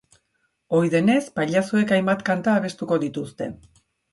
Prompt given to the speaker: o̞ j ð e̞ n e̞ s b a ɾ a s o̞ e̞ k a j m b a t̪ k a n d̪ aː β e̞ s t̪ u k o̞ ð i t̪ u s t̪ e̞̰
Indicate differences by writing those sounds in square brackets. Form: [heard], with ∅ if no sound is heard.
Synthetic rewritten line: o̞ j ð e̞ n e̞ s [p] a [ʎ] a s o̞ e̞ k a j m b a t̪ k a n [t̪] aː β e̞ s t̪ u k o̞ ð i t̪ u s t̪ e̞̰